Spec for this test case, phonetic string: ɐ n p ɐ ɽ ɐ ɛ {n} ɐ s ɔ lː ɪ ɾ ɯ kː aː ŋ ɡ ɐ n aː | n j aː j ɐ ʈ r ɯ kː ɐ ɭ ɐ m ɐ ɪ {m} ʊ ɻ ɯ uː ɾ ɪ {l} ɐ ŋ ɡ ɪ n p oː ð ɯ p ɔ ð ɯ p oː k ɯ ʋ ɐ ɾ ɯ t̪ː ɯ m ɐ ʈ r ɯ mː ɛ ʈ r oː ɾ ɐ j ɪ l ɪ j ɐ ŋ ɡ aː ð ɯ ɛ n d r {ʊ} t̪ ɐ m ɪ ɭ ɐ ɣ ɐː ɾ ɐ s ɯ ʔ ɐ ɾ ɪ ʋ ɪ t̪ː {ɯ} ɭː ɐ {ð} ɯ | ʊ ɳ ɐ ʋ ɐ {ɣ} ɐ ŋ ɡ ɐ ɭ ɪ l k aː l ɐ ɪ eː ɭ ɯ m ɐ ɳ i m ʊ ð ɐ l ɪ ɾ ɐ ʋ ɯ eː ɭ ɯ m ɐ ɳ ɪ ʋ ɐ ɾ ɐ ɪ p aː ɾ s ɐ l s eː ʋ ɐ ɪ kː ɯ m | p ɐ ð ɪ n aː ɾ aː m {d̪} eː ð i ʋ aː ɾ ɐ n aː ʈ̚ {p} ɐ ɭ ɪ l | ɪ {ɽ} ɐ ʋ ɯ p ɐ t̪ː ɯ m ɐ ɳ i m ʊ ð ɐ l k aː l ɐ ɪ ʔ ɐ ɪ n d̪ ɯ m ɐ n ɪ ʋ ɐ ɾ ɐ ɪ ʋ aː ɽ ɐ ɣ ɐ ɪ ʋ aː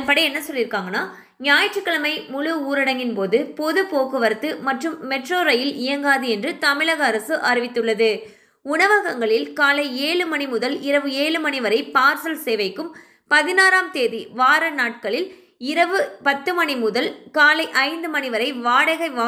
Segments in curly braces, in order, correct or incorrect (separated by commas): incorrect, correct, incorrect, incorrect, correct, correct, correct, incorrect, incorrect, incorrect